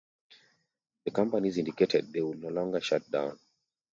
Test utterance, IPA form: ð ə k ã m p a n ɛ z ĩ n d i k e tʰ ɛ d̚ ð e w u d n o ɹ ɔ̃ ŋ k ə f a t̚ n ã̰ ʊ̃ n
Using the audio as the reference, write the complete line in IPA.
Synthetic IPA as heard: ð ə k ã m p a n i z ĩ n d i k e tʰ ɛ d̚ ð e w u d n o l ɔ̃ ŋ ɡ ə ʃ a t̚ d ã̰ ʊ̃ n